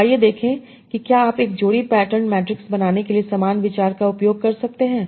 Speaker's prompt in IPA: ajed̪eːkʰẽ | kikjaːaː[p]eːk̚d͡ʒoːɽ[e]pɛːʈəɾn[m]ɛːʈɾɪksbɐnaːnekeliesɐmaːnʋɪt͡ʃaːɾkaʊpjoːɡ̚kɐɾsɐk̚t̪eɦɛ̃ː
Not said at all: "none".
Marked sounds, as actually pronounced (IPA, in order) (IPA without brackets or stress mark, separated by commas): p, i, m